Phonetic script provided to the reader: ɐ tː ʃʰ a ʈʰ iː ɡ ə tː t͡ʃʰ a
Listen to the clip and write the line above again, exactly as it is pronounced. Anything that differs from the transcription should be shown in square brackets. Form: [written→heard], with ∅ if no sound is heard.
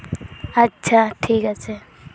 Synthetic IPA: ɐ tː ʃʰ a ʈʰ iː [ɡ→k] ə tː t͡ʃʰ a